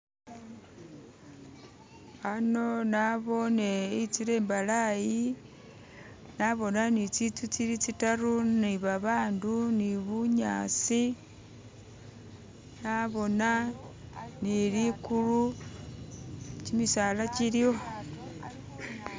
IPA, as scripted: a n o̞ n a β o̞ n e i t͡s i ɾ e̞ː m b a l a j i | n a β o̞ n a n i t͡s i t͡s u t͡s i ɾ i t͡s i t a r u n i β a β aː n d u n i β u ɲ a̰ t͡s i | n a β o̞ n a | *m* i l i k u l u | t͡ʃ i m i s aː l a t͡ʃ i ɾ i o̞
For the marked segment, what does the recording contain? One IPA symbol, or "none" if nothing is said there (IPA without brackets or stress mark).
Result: n